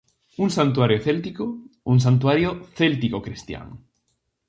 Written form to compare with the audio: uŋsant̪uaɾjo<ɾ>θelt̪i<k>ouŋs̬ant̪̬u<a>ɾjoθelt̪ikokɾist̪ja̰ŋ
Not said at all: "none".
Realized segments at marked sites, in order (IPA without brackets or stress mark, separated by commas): none, k, a